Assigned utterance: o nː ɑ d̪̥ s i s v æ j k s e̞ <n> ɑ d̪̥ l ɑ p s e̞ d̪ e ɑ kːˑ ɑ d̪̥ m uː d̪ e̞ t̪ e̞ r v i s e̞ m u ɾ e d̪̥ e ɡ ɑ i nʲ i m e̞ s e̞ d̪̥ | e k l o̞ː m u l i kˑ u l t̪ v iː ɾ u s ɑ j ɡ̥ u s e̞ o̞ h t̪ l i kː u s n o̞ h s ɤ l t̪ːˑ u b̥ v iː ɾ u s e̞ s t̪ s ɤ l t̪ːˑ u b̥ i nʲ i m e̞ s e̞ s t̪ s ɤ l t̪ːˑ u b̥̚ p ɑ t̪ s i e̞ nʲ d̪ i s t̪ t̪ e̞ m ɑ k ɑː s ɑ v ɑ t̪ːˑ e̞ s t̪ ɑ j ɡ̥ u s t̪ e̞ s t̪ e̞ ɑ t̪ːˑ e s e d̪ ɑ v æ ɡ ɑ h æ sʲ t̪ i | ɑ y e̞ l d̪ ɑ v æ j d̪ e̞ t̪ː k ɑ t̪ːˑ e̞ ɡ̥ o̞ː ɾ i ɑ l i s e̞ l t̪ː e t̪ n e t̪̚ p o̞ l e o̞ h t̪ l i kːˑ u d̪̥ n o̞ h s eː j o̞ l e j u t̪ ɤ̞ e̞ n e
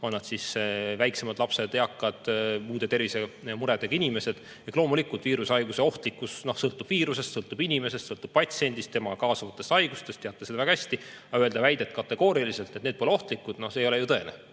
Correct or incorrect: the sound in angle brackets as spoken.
incorrect: m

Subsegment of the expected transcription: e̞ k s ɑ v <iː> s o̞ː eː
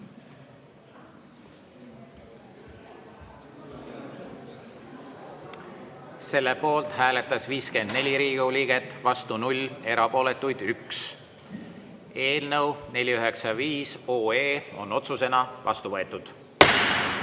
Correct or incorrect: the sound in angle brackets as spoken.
correct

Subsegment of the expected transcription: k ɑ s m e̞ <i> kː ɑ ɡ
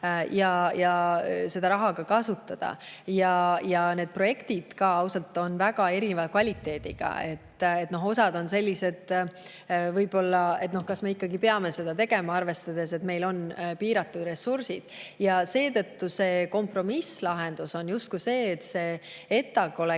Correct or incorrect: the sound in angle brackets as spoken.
correct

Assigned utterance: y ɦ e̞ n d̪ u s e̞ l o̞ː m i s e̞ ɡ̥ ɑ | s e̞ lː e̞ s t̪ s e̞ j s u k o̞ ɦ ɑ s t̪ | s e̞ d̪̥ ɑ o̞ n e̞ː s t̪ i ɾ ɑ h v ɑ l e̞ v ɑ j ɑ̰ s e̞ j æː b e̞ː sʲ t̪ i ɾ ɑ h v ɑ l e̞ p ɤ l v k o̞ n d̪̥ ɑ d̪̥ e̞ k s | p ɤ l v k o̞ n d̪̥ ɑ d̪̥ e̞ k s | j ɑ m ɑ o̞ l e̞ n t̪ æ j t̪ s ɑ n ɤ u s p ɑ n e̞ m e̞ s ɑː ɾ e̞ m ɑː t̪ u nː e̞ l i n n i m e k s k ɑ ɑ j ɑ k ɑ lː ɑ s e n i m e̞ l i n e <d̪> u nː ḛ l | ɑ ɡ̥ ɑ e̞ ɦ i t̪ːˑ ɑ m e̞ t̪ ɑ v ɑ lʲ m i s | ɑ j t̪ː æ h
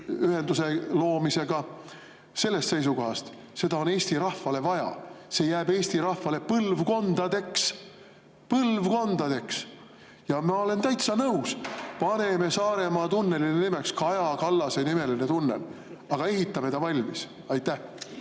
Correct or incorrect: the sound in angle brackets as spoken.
incorrect: t̪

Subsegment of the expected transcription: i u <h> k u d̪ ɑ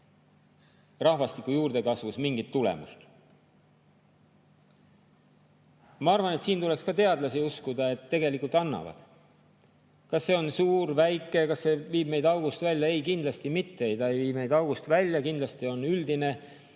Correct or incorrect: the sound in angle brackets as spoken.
incorrect: s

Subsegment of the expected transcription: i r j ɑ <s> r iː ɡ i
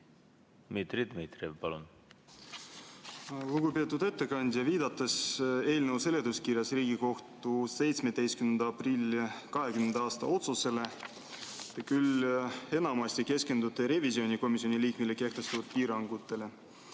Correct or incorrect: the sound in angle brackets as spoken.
correct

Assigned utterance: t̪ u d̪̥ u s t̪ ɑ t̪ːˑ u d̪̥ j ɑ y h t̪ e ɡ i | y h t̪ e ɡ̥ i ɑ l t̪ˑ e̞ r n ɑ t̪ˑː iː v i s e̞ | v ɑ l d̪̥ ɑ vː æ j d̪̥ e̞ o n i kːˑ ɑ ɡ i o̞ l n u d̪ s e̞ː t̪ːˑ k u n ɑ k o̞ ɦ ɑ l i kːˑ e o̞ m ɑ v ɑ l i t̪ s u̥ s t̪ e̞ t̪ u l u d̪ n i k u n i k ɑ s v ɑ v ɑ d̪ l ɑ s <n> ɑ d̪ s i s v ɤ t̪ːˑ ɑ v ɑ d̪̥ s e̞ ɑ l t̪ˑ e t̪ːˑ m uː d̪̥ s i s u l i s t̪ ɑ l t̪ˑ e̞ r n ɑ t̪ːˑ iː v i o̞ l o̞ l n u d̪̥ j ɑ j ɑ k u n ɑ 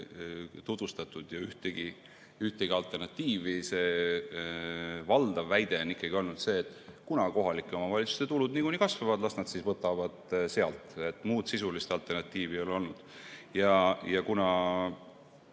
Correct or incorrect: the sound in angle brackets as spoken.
correct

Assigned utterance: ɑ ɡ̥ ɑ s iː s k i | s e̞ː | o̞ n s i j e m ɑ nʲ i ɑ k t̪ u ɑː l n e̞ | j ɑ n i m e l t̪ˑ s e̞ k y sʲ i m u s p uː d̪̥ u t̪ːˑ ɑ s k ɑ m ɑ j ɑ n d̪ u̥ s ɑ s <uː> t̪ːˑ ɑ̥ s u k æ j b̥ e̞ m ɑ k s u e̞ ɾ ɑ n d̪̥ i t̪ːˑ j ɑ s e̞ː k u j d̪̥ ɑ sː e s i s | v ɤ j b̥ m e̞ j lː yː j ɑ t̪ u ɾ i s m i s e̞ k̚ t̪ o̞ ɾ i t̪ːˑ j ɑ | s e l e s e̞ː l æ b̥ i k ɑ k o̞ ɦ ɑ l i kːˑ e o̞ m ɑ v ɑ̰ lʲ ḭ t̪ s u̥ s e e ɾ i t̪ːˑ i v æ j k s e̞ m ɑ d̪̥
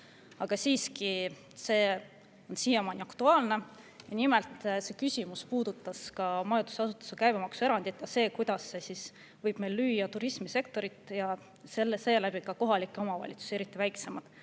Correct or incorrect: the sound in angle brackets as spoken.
incorrect: u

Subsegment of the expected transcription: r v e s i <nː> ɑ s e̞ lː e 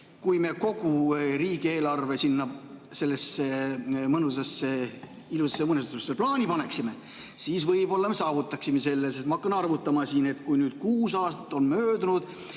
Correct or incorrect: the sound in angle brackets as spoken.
correct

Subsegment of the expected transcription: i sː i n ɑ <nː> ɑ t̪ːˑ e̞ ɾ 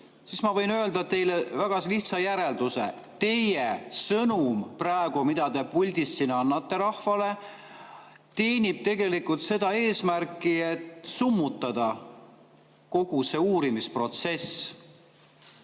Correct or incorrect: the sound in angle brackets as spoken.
correct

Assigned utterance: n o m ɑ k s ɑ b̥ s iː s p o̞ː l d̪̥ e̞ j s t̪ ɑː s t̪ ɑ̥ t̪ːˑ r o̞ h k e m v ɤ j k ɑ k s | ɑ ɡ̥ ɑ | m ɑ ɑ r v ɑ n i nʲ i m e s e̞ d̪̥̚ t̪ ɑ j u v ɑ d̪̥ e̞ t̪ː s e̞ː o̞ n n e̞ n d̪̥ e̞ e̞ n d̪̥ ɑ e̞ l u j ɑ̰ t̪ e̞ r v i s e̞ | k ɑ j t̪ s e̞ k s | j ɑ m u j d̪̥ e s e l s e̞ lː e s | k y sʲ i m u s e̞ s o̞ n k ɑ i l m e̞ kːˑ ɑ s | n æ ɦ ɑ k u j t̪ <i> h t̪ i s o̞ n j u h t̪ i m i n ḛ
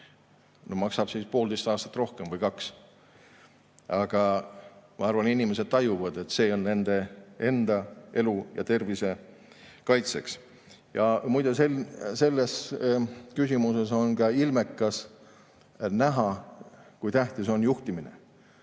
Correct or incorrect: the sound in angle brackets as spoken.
incorrect: æ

